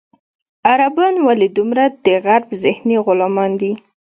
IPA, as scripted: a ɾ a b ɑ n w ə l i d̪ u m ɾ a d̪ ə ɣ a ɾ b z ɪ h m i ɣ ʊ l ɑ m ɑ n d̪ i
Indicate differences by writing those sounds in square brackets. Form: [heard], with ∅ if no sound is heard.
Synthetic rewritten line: a ɾ a b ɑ n w [a] l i d̪ u m ɾ a d̪ ə ɣ a ɾ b z ɪ h [n] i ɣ ʊ l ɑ m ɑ n d̪ i